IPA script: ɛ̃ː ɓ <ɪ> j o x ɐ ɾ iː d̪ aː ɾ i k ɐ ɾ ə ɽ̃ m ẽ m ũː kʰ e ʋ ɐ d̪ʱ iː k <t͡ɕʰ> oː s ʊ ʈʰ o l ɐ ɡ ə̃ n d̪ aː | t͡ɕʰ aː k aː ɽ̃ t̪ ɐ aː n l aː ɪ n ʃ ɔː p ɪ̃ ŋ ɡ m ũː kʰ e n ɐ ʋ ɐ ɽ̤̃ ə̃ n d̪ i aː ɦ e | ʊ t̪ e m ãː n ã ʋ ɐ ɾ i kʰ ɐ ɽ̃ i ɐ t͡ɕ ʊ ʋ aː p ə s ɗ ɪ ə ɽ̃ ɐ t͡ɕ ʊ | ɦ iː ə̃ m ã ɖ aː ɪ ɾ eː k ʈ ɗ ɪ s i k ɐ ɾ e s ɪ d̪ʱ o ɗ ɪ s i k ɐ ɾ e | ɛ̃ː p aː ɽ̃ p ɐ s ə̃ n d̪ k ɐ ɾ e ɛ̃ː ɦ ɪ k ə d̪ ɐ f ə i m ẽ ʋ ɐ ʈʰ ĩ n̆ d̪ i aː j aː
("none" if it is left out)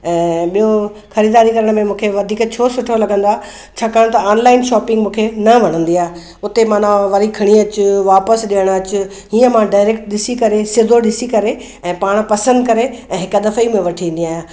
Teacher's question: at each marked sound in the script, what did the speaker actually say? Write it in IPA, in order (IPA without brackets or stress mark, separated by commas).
i, t͡ɕʰ